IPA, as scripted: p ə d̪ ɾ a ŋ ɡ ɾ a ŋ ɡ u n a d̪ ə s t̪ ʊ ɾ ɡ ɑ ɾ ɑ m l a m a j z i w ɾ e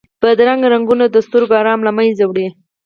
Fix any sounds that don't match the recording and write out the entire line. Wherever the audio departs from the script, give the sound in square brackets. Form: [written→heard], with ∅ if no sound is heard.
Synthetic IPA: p ə d̪ ɾ a ŋ ɡ ɾ a ŋ ɡ u n a d̪ ə s t̪ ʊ ɾ ɡ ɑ ɾ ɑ m l a m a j z [i→a] w [ɾ→ɽ] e